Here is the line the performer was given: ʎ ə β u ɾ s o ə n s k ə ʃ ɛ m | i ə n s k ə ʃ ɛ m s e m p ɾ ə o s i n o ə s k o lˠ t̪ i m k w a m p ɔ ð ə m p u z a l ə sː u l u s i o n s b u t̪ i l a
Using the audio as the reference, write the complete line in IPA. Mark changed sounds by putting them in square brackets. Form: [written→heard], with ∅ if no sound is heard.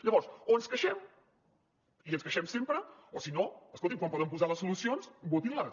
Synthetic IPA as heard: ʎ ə β [u→ɔ] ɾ s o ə n s k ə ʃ ɛ m | i ə n s k ə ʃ ɛ m s e m p ɾ ə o s i n o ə s k o lˠ t̪ i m k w a m p ɔ ð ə m p u z a l ə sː u l u s i o n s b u t̪ i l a